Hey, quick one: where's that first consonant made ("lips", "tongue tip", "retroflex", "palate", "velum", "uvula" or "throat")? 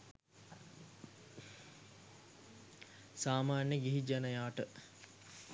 tongue tip